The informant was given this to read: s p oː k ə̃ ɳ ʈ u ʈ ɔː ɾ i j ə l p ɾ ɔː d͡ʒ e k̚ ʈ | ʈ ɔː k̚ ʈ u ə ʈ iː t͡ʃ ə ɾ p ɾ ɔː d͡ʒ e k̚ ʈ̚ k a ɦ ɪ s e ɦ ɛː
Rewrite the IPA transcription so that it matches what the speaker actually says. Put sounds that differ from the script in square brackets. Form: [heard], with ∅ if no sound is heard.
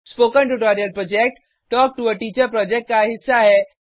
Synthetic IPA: s p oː k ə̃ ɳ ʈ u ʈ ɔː ɾ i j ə l p ɾ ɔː d͡ʒ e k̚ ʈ | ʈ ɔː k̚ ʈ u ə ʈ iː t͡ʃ ə ɾ p ɾ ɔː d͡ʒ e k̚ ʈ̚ k a ɦ ɪ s [a] ɦ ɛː